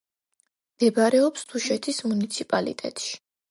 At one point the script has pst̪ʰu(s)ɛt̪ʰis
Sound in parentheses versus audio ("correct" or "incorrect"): incorrect